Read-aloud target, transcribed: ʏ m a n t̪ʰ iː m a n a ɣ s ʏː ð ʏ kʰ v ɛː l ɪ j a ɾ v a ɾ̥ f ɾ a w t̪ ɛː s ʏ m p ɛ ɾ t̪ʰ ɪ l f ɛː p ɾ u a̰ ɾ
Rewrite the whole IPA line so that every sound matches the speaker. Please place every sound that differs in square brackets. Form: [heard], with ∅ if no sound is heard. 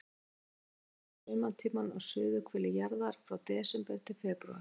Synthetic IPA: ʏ m a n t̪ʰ iː m a n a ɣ s ʏː ð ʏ kʰ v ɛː l ɪ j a ɾ [ð] a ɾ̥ f ɾ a w t̪ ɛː s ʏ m p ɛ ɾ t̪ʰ ɪ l f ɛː p ɾ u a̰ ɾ